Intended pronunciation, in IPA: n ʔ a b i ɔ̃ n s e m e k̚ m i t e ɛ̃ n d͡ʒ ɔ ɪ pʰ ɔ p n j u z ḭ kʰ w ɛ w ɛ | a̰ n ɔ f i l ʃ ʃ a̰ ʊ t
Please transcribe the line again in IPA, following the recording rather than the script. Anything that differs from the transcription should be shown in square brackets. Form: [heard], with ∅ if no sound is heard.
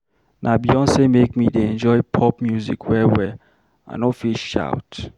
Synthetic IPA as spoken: n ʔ a b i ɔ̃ n s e m e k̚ m i [d] e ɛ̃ n d͡ʒ ɔ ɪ pʰ ɔ p [m] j u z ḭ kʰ w ɛ w ɛ | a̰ n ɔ f i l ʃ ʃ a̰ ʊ t